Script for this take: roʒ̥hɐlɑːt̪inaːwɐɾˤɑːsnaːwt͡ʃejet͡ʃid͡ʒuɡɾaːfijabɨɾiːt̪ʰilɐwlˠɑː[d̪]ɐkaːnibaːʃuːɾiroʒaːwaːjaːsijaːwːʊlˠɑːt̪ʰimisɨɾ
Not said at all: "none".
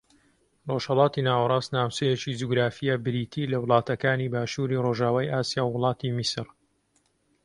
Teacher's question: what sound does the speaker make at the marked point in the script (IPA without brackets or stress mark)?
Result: t̪